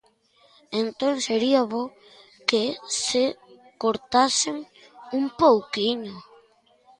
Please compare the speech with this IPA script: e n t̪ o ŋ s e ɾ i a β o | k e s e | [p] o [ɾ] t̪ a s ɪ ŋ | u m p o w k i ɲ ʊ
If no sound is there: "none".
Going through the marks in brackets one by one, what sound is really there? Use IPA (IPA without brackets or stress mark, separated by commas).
k, ɾ